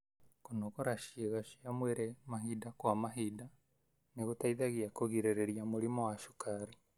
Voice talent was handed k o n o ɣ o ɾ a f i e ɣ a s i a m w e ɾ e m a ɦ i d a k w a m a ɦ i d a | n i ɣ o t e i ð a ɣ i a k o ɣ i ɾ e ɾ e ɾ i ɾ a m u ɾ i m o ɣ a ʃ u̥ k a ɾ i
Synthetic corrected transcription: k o n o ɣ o ɾ a ʃ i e ɣ a ʃ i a m w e ɾ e m a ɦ i d a k w a m a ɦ i d a | n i ɣ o t a i ð a ɣ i a k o ɣ i ɾ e ɾ e ɾ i a m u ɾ i m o w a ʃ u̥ k a ɾ i